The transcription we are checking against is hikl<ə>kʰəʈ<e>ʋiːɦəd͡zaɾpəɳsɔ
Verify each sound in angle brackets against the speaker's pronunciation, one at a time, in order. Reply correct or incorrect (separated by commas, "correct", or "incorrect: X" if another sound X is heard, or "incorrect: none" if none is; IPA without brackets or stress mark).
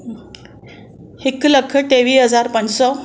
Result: correct, correct